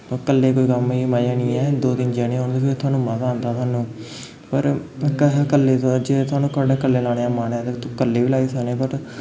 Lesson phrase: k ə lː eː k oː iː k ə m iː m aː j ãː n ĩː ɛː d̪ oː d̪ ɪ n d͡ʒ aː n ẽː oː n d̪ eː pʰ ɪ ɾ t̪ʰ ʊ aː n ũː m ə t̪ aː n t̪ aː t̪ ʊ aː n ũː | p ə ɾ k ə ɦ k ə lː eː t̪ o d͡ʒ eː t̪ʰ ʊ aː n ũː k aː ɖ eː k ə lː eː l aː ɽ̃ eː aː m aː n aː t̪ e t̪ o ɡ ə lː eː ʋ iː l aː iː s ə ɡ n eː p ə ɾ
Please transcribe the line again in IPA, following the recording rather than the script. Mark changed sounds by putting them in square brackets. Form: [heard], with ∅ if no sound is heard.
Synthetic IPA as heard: k ə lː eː k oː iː k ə m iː m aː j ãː n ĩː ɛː d̪ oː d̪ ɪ n d͡ʒ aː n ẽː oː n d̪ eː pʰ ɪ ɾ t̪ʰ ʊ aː n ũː m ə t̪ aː n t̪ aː t̪ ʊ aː n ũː | p ə ɾ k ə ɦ k ə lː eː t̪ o d͡ʒ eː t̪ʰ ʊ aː n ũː k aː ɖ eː k ə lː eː l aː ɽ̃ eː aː m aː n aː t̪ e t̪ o [k] ə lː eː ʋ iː l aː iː s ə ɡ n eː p ə ɾ